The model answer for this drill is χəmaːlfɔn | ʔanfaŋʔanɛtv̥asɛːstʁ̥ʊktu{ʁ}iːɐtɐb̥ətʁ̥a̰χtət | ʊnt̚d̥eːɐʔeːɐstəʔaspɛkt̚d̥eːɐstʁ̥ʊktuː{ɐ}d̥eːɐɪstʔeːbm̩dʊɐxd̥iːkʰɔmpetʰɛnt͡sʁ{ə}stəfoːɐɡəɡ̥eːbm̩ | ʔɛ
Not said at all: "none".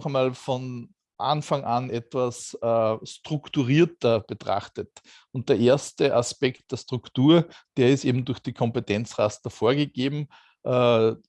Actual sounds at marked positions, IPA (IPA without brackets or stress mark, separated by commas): ʁ, ɐ, a